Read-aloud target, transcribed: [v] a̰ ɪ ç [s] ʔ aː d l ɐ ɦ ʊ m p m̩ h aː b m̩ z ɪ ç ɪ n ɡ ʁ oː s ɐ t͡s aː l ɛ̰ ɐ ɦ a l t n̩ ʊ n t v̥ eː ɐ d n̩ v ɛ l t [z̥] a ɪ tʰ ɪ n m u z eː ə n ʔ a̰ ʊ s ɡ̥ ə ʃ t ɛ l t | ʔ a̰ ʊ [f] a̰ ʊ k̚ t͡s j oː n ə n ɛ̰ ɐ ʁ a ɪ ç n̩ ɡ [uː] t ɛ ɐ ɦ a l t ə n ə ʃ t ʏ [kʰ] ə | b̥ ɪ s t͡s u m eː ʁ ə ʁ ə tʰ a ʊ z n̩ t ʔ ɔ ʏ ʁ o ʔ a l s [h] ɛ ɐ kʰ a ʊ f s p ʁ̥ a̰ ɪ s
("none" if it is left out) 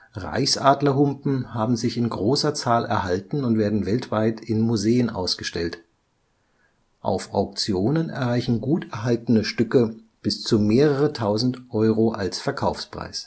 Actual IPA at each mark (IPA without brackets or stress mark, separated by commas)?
ʁ, s, v̥, f, uː, k, f